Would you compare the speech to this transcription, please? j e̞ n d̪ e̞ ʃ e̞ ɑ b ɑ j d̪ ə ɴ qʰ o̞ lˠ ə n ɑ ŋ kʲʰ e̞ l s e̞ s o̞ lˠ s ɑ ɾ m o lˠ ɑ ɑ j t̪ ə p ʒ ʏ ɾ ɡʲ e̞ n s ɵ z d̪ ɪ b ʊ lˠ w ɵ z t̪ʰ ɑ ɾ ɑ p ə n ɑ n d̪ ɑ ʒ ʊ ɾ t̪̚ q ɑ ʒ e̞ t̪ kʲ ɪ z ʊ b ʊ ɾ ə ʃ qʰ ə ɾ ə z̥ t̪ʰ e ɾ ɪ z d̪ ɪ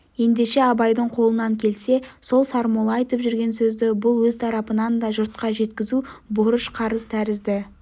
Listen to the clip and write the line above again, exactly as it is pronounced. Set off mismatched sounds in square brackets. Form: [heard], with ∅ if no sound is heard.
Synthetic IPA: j e̞ n d̪ e̞ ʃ e̞ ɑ b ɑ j d̪ ə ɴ qʰ o̞ lˠ ə n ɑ ŋ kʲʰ e̞ l s e̞ s o̞ lˠ s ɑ ɾ m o lˠ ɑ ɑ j t̪ ə p ʒ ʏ ɾ ɡʲ e̞ n s ɵ z d̪ ɪ b ʊ lˠ w ɵ z t̪ʰ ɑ ɾ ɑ p ə n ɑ n d̪ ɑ ʒ ʊ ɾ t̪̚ q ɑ ʒ e̞ t̪ kʲ ɪ z [u] b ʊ ɾ ə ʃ qʰ [ɑ] ɾ ə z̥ t̪ʰ [æ] ɾ ɪ z d̪ ɪ